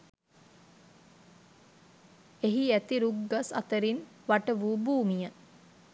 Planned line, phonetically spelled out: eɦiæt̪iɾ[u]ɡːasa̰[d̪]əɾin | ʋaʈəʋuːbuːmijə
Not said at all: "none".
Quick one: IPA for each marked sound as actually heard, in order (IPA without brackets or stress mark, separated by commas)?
u, t̪